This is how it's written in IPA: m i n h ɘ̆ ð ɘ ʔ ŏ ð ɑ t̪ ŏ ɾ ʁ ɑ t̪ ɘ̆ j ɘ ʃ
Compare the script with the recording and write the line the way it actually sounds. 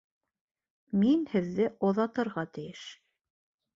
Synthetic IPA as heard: m i n h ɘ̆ ðː ɘ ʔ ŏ ð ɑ t̪ ɤ̆ ɾ ʁ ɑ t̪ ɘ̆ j ɘ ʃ